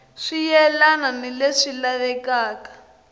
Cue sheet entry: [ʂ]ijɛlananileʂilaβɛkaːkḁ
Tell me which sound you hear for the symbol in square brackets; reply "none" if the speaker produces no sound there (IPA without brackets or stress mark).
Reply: ʂ